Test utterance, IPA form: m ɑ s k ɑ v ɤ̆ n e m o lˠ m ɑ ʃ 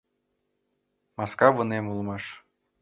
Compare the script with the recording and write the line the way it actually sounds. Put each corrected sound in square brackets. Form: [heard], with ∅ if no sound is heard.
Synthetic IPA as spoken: m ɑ s k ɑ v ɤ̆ n e m [u] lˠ m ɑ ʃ